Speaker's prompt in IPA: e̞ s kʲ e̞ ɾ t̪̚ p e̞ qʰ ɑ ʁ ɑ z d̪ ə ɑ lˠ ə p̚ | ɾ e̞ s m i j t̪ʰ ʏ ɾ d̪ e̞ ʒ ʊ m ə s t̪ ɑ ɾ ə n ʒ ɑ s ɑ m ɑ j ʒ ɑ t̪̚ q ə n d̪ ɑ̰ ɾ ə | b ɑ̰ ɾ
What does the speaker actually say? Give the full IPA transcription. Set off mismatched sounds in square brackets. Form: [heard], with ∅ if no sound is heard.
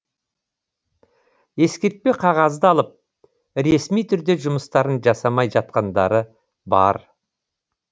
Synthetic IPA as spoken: e̞ s kʲ e̞ ɾ t̪̚ p e̞ qʰ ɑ ʁ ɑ z d̪ ə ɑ lˠ ə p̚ | ɾ e̞ s m i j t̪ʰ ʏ ɾ d̪ e̞ ʒ ʊ m ə s t̪ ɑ ɾ ə n ʒ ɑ s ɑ m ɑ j ʒ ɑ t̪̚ q [ɑ] n d̪ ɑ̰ ɾ ə | b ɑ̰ ɾ

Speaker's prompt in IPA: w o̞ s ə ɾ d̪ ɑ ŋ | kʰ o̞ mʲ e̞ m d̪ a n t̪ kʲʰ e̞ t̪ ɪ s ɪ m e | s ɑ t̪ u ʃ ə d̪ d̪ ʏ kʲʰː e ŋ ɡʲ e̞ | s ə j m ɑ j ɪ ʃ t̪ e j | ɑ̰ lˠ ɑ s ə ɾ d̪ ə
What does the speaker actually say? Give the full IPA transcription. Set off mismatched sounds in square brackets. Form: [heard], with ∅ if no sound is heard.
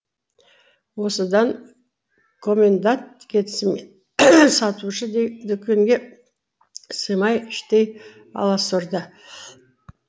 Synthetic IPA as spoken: w o̞ s ə [∅] d̪ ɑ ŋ | kʰ o̞ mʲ e̞ [n] d̪ a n t̪ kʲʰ e̞ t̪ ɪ s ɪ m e | s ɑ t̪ u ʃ ə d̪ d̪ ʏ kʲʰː e ŋ ɡʲ e̞ | s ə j m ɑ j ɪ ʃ t̪ e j | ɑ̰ lˠ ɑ s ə ɾ d̪ ə

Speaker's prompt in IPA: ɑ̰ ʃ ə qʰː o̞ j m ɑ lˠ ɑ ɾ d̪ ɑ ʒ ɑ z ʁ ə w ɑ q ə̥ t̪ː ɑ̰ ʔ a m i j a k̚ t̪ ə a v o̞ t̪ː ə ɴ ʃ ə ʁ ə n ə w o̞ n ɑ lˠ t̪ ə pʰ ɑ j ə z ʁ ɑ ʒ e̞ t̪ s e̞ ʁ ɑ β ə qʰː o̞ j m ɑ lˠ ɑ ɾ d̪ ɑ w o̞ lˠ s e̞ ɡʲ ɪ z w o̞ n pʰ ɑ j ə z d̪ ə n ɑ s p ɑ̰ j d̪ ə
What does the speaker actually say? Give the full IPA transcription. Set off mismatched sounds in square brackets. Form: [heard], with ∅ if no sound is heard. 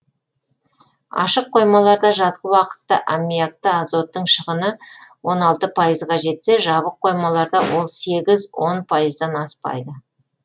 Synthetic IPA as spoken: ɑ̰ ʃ ə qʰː o̞ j m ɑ lˠ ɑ ɾ d̪ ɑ ʒ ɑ z ʁ ə w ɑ q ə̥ t̪ː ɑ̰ ʔ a m i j a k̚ t̪ ə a [z] o̞ t̪ː ə ɴ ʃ ə ʁ ə n ə w o̞ n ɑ lˠ t̪ ə pʰ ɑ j ə z ʁ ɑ ʒ e̞ t̪ s e̞ [ʒ] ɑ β ə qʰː o̞ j m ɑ lˠ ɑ ɾ d̪ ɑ w o̞ lˠ s e̞ ɡʲ ɪ z w o̞ n pʰ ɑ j ə z d̪ [ɑ] n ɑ s p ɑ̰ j d̪ ə

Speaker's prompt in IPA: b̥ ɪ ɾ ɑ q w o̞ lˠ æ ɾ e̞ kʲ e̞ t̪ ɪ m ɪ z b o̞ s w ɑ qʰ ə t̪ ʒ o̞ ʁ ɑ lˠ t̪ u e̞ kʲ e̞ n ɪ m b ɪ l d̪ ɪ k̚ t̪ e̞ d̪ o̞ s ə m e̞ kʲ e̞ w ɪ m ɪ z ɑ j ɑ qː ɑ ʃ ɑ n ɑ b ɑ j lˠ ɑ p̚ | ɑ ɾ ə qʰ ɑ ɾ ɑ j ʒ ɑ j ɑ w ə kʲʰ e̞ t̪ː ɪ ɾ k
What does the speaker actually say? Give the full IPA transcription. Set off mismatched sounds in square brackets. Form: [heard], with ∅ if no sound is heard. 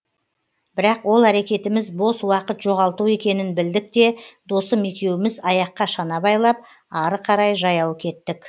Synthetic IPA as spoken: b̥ ɪ ɾ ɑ q w o̞ lˠ æ ɾ e̞ kʲ e̞ t̪ ɪ m ɪ z b o̞ s w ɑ [q] ə t̪ ʒ o̞ ʁ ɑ lˠ t̪ u e̞ kʲ e̞ n ɪ [n] b ɪ l d̪ ɪ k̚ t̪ e̞ d̪ o̞ s ə m e̞ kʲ e̞ w ɪ m ɪ z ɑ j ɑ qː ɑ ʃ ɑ n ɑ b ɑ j lˠ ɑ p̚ | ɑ ɾ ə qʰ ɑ ɾ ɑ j ʒ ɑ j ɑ w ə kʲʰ e̞ t̪ː ɪ [∅] k

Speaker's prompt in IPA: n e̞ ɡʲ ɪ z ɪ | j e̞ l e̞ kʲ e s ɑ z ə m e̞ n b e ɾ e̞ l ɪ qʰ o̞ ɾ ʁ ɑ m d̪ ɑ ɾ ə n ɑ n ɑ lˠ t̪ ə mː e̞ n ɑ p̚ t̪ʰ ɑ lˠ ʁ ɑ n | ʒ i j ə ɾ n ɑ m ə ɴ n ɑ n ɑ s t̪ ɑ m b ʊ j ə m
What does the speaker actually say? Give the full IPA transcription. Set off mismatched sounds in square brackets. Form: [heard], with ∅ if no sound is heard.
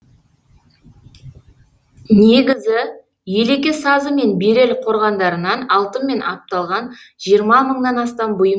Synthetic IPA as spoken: n e̞ ɡʲ ɪ z ɪ | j e̞ l e̞ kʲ e s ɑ z ə m e̞ n b e ɾ e̞ l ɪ qʰ o̞ ɾ ʁ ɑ [n] d̪ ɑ ɾ ə n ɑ n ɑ lˠ t̪ ə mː e̞ n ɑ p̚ [t̪] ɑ lˠ ʁ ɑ n | ʒ i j ə ɾ [m] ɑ m ə ɴ n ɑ n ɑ s t̪ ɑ m b ʊ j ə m

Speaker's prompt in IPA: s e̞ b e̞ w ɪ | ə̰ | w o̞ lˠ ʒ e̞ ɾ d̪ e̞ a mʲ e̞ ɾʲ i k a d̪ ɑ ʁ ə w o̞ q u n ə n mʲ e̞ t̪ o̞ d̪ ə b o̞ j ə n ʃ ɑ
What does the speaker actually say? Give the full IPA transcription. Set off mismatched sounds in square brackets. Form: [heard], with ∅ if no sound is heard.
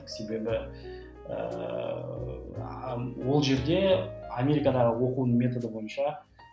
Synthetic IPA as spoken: s e̞ b e̞ [b] ɪ | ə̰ | w o̞ lˠ ʒ e̞ ɾ d̪ e̞ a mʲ e̞ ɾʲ i k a d̪ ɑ ʁ ə w o̞ q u n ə [ɴ] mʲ e̞ t̪ o̞ d̪ ə b o̞ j ə n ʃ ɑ

